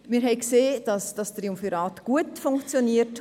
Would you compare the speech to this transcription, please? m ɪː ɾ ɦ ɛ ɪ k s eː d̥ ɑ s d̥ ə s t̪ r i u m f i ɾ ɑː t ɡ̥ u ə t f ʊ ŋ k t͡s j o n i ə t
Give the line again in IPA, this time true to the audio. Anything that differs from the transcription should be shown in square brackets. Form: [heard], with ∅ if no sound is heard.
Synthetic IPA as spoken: m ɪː ɾ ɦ ɛ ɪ k s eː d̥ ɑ s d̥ [ɑ] s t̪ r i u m f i ɾ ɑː t ɡ̥ u ə t f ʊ ŋ k t͡s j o n i ə t